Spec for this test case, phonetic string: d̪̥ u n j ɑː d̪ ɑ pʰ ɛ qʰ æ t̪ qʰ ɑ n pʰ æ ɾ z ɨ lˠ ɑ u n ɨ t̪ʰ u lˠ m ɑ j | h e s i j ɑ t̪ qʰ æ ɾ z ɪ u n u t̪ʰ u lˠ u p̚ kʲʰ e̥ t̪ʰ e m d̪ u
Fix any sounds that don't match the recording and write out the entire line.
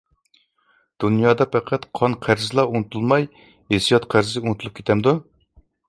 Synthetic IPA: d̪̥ u n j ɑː d̪ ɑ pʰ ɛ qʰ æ t̪ qʰ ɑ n qʰ æ ɾ z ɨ lˠ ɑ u n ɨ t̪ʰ u lˠ m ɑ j | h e s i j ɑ t̪ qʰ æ ɾ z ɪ u n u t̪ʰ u lˠ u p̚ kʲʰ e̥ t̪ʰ ɛ m d̪ u